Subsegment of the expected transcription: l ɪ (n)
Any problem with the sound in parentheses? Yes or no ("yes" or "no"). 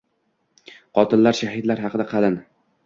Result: no